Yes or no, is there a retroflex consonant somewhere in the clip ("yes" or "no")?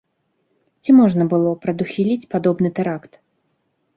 yes